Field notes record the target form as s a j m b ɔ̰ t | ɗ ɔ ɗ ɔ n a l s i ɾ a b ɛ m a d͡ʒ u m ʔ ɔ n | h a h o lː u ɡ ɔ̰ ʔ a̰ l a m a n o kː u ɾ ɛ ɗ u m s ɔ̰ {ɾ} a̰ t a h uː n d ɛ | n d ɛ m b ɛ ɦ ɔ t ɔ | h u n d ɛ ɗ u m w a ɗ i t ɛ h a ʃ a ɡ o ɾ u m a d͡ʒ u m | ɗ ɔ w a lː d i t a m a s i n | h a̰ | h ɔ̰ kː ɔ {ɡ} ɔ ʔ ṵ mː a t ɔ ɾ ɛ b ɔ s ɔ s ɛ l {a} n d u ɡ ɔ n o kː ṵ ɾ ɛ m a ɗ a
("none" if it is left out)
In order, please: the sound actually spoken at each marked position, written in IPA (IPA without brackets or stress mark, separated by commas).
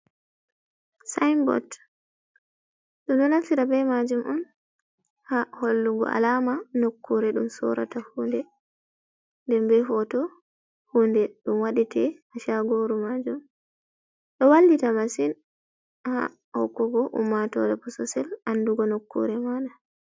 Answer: ɾ, ɡ, a